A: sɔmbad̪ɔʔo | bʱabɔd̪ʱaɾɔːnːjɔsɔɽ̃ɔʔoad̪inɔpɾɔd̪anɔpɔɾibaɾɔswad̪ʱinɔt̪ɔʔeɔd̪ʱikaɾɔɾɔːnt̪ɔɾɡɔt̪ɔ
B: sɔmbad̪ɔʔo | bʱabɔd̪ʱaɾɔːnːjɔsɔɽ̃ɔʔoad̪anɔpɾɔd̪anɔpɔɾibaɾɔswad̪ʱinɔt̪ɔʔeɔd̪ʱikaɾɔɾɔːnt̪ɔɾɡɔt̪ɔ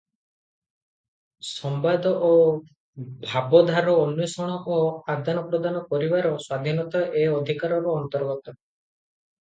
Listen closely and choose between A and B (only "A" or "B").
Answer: B